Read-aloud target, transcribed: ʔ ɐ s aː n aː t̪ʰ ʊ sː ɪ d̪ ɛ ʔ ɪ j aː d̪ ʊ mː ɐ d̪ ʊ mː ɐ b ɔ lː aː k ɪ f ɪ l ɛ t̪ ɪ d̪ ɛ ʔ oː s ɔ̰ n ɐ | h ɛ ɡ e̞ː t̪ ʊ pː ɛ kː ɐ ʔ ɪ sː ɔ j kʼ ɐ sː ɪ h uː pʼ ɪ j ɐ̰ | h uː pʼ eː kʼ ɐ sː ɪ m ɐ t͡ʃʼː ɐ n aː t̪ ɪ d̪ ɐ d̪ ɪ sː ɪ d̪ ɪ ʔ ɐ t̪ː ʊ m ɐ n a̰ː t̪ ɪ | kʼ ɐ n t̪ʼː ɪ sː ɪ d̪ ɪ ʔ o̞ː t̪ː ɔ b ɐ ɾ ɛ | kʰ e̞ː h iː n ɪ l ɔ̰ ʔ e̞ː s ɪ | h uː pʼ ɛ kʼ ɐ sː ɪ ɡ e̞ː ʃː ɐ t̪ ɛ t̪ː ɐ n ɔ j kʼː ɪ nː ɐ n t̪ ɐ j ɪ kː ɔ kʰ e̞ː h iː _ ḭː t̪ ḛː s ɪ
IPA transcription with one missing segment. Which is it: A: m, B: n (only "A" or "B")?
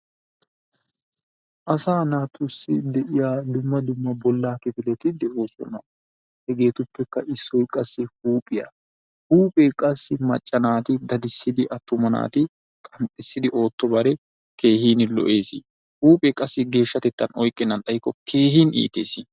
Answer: B